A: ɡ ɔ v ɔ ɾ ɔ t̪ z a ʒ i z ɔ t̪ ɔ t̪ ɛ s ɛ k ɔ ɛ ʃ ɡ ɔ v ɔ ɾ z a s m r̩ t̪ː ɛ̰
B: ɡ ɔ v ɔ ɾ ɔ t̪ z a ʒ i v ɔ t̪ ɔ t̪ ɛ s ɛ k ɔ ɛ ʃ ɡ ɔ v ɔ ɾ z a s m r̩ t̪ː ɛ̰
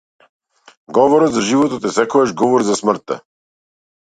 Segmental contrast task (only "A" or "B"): B